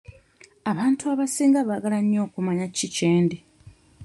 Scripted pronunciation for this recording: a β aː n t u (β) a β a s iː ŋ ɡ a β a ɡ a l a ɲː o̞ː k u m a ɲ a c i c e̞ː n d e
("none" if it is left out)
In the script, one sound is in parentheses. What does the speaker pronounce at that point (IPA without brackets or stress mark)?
none